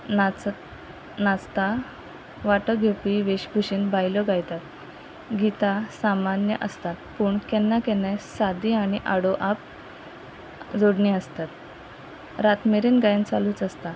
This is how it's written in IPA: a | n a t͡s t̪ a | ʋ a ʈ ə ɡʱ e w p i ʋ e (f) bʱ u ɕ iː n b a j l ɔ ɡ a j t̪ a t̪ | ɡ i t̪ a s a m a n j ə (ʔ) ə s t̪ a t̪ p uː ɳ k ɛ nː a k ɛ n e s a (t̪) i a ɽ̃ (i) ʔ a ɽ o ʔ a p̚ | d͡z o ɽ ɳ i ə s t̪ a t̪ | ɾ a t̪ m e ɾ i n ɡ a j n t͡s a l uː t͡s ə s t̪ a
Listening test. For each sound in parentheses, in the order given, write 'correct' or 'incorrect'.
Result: incorrect: ɕ, correct, incorrect: d̪, correct

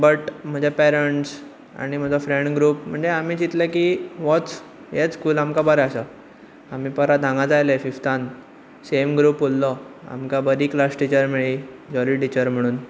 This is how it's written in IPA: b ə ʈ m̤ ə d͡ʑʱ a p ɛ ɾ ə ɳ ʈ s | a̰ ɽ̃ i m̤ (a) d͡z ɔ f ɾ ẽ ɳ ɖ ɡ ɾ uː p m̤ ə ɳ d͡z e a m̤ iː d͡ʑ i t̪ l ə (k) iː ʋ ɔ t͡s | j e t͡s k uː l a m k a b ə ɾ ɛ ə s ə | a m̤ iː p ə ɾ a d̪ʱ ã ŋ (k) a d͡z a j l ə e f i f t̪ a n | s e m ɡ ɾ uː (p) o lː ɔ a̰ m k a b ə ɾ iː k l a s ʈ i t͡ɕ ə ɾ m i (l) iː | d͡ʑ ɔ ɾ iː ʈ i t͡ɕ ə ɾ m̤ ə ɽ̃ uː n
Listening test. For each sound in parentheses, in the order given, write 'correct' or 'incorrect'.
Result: incorrect: ə, correct, incorrect: ɡ, correct, incorrect: ɭ

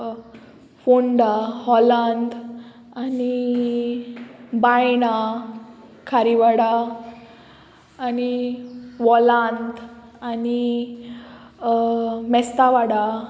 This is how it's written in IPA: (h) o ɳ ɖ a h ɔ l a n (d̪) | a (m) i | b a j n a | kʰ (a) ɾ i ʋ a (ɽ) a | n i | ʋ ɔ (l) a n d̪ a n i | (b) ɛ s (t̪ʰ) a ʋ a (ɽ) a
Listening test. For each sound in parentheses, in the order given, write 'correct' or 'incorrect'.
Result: incorrect: f, correct, incorrect: n, correct, correct, correct, incorrect: m, incorrect: t̪, correct

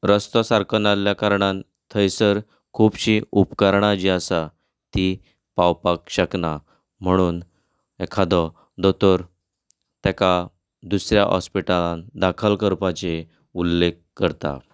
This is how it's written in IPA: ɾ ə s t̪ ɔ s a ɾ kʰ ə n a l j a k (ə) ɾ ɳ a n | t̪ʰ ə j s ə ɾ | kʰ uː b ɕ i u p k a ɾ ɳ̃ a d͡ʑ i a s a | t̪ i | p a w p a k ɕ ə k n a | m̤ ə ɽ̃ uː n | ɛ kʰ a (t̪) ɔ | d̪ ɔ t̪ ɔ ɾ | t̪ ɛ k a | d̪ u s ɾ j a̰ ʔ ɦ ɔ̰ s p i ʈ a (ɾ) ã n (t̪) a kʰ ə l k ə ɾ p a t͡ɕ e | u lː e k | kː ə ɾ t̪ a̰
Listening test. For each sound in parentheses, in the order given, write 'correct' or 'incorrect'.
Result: incorrect: a, incorrect: d̪, incorrect: l, incorrect: d̪

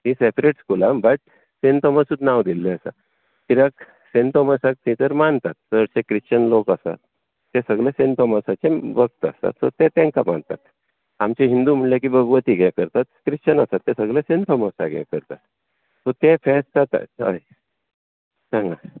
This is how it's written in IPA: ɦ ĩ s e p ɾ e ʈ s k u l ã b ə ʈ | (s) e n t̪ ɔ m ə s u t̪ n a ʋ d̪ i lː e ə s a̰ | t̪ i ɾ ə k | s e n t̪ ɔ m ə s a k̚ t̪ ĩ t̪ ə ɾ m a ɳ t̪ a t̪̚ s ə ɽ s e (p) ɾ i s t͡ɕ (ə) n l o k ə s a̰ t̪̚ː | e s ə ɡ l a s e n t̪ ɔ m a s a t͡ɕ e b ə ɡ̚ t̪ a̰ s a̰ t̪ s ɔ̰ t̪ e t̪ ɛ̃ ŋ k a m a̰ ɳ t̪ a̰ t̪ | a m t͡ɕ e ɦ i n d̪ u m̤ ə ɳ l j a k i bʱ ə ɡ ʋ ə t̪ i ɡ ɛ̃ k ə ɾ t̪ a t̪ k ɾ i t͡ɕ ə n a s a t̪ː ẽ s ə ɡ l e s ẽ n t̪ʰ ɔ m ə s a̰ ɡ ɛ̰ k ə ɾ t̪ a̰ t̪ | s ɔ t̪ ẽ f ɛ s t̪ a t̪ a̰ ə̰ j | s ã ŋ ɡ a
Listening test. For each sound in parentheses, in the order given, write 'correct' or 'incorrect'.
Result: correct, incorrect: k, correct

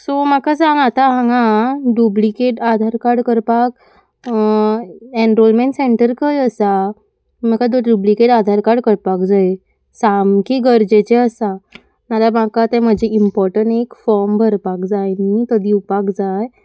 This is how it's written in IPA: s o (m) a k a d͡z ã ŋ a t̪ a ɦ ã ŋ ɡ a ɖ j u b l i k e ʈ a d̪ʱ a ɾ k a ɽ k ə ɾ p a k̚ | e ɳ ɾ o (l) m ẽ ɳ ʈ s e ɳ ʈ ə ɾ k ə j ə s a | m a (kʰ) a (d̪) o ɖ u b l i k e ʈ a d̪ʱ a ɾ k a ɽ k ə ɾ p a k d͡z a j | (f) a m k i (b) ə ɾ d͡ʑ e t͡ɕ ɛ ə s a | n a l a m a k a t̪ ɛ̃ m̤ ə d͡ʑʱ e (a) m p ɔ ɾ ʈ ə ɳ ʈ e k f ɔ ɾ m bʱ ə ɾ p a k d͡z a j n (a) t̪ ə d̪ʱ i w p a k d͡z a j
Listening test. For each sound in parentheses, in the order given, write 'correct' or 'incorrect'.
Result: correct, correct, incorrect: k, correct, incorrect: s, incorrect: ɡ, incorrect: i, incorrect: i

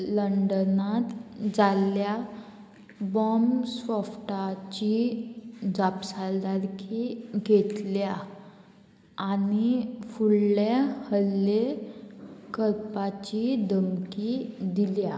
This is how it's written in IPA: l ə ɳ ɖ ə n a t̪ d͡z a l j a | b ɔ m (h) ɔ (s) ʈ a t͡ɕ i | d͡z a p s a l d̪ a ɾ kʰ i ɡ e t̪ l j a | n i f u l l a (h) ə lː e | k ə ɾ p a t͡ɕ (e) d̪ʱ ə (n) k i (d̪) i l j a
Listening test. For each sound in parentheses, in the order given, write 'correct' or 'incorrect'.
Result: incorrect: s, incorrect: f, correct, incorrect: i, incorrect: m, correct

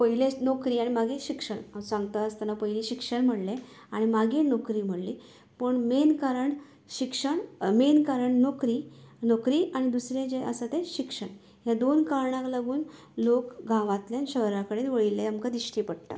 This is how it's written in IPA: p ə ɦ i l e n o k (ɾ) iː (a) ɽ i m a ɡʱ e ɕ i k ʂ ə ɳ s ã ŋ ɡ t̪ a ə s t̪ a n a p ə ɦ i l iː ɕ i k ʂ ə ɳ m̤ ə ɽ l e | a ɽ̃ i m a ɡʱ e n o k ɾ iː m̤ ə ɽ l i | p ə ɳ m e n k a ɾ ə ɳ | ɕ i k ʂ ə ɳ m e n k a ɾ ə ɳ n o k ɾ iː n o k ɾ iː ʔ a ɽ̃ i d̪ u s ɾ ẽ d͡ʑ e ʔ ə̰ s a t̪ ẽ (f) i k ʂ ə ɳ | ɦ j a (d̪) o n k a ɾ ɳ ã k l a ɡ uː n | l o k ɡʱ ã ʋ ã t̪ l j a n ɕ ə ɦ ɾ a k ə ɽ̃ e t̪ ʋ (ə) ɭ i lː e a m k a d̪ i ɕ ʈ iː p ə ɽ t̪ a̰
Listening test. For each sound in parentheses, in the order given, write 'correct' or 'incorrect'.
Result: correct, correct, incorrect: ɕ, correct, correct

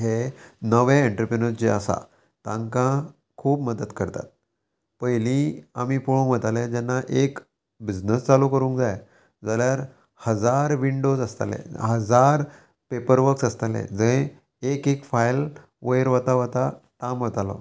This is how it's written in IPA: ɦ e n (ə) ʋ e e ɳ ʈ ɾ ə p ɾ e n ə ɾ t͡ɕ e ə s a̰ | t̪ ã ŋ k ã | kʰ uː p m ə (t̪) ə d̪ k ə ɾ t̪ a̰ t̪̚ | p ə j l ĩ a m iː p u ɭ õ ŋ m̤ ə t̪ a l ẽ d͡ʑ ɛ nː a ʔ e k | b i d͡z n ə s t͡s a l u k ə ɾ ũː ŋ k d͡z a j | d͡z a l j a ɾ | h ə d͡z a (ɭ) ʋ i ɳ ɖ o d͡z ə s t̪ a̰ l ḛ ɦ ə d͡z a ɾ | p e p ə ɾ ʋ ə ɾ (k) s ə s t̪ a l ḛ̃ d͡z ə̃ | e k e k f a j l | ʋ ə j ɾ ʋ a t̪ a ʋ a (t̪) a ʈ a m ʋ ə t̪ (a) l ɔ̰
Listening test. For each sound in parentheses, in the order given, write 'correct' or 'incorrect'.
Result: correct, incorrect: d̪, incorrect: ɾ, correct, correct, correct

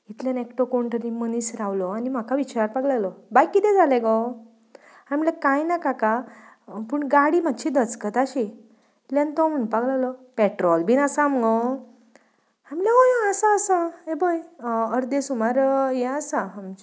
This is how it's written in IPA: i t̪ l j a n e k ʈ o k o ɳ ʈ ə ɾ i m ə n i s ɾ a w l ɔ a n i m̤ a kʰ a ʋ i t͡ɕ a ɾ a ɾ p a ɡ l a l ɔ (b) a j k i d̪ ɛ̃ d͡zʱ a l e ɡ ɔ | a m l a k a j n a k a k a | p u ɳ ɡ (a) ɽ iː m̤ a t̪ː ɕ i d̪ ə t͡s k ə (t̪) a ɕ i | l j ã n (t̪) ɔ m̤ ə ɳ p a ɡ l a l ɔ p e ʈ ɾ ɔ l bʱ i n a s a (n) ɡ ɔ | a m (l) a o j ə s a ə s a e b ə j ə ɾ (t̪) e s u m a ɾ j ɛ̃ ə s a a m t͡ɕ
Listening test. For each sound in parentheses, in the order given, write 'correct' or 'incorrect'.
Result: correct, correct, correct, correct, incorrect: m, correct, incorrect: d̪

